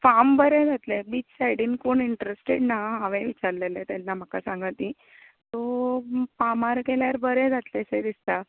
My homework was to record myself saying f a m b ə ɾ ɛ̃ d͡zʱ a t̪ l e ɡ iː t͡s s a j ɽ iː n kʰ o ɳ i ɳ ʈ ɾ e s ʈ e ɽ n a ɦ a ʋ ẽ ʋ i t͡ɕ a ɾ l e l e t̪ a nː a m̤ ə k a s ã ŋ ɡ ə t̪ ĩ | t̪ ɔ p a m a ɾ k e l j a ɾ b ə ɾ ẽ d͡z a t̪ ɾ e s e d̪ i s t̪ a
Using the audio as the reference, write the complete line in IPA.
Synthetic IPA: f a m b ə ɾ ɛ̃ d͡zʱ a t̪ l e b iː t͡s s a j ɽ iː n k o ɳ i ɳ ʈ ɾ e s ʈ e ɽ n a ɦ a ʋ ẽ ʋ i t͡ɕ a ɾ l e l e t̪ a nː a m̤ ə k a s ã ŋ ɡ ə t̪ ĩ | t̪ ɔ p a m a ɾ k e l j a ɾ b ə ɾ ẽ d͡z a t̪ l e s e d̪ i s t̪ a